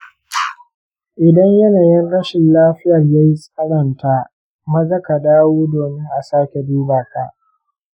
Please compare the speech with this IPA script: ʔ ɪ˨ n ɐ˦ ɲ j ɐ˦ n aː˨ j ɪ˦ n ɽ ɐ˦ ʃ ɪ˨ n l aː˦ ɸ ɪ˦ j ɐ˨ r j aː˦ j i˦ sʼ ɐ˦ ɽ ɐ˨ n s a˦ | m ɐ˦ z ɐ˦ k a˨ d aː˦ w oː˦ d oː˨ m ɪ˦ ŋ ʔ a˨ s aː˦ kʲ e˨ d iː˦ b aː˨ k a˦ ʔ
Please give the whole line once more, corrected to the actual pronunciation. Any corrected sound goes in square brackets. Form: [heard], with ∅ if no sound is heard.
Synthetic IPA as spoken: ʔ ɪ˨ [d] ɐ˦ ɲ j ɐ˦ n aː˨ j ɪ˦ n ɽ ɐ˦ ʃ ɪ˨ n l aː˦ ɸ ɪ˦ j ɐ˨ r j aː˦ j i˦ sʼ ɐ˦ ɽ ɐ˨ n [t] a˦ | m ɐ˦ z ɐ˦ k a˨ d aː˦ w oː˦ d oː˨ m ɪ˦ ŋ ʔ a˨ s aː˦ kʲ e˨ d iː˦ b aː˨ k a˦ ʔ